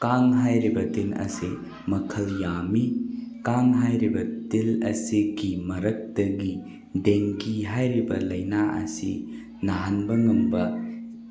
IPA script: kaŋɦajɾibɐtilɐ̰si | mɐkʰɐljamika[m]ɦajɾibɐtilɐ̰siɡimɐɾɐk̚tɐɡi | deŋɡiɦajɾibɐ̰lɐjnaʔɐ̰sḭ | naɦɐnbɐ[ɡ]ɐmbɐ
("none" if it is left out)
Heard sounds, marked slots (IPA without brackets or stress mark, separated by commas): ŋ, ŋ